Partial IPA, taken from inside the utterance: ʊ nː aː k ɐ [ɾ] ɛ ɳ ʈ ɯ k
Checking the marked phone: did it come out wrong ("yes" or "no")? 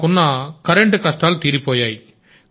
no